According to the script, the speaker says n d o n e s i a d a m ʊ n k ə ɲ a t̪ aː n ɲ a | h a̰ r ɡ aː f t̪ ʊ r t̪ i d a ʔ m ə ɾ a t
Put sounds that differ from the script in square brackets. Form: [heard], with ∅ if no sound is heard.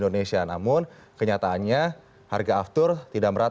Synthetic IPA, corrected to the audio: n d o n e s i a [n] a m ʊ n k ə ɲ a t̪ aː n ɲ a | h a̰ r ɡ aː f t̪ ʊ r t̪ i d a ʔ m ə ɾ a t